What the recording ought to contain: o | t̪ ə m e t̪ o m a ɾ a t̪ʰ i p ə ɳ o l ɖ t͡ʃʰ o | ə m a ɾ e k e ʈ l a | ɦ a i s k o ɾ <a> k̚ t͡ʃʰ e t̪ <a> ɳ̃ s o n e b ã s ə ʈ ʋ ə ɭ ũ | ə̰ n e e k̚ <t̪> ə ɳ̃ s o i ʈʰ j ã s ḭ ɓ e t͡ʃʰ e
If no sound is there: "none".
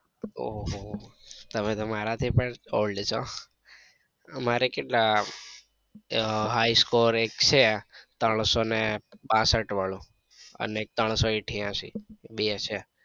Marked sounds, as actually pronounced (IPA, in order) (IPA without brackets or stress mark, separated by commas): e, ə, t̪